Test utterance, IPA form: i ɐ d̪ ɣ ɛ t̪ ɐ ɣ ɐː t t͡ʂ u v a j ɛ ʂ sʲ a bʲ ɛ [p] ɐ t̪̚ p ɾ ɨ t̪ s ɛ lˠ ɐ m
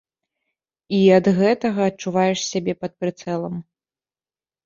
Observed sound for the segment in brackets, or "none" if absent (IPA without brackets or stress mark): p